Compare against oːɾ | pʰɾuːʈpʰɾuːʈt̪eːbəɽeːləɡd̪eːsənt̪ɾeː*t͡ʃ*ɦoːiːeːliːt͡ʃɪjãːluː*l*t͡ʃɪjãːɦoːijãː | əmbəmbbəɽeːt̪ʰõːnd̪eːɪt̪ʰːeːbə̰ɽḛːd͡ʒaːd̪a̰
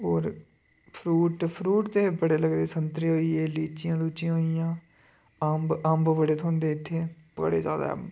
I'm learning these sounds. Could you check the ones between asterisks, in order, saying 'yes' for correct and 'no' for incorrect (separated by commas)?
no, no